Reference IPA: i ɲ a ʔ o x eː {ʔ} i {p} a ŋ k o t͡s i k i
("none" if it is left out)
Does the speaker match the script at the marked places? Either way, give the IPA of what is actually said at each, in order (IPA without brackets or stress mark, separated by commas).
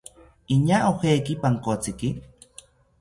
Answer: k, p